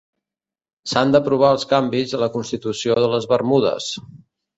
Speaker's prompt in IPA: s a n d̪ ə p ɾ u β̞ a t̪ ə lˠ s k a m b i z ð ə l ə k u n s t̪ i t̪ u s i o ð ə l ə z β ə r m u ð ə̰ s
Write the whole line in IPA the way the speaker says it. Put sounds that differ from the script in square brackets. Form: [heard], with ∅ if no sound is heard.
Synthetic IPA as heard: s a n d̪ ə p ɾ u β̞ a [∅] ə lˠ s k a m b i z ð ə l ə k u n s t̪ i t̪ u s i o ð ə l ə z β ə r m u ð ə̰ s